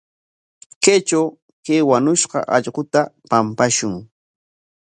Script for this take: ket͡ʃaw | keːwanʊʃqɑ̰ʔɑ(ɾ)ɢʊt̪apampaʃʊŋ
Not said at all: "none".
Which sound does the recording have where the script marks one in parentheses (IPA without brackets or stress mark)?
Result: ʎ